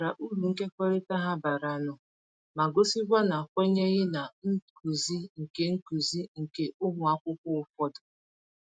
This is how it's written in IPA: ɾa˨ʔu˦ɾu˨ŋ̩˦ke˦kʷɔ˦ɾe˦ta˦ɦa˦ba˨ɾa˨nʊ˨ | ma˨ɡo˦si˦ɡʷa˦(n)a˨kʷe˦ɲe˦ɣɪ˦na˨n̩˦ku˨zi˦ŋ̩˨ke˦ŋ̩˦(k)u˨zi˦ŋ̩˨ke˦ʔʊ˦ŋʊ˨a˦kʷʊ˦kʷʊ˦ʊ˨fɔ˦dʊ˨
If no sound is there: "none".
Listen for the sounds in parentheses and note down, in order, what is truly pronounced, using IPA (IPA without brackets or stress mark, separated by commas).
n, k